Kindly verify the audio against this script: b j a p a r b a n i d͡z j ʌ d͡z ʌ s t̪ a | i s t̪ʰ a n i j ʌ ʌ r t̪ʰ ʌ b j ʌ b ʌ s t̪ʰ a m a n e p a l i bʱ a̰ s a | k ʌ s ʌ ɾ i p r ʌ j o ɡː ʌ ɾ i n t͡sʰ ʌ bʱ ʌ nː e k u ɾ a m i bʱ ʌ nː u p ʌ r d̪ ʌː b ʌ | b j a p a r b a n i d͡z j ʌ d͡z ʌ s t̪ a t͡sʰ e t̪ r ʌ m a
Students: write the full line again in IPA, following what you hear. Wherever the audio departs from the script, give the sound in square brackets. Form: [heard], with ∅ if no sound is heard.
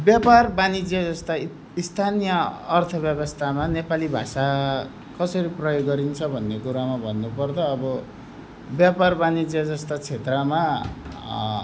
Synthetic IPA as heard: b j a p a r b a n i d͡z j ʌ d͡z ʌ s t̪ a | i s t̪ʰ a n i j ʌ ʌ r t̪ʰ ʌ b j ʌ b ʌ s t̪ʰ a m a n e p a l i bʱ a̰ s a | k ʌ s ʌ ɾ i p r ʌ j o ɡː ʌ ɾ i n t͡sʰ ʌ bʱ ʌ nː e k u ɾ a m [a] bʱ ʌ nː u p ʌ r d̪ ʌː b ʌ | b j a p a r b a n i d͡z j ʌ d͡z ʌ s t̪ a t͡sʰ e t̪ r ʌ m a